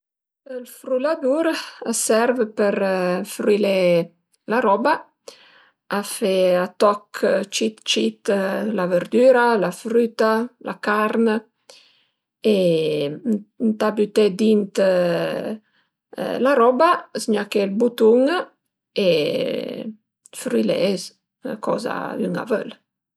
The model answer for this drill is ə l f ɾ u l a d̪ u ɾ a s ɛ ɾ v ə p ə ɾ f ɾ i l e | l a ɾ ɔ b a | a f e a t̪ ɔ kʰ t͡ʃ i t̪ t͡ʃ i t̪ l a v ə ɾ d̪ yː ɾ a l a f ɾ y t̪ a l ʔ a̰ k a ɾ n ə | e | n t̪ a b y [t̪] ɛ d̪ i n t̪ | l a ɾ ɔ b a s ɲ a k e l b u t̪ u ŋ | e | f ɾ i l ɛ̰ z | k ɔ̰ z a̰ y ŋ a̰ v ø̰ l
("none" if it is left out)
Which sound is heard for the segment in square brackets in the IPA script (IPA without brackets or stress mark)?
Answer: t̪